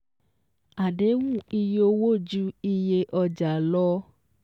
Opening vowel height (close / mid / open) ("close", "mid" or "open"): open